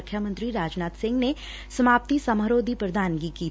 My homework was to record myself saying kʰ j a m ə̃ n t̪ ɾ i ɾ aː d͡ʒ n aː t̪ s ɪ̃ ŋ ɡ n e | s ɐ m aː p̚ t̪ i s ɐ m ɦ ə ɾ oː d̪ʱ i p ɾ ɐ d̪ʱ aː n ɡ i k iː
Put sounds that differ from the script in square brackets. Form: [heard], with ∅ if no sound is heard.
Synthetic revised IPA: kʰ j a m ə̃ n t̪ ɾ i ɾ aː d͡ʒ n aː t̪ s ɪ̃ ŋ ɡ n e | s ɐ m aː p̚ t̪ i s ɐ m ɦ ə ɾ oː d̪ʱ i p ɾ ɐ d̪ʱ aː n ɡ i k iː